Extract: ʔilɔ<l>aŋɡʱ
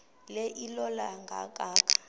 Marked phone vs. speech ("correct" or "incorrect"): correct